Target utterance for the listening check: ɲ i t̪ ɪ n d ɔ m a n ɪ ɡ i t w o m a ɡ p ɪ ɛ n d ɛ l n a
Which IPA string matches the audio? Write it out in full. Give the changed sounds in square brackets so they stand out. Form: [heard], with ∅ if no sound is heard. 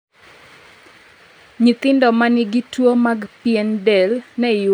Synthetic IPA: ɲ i t̪ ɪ n d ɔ m a n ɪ ɡ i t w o m a ɡ p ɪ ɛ n d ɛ l n [ɛ]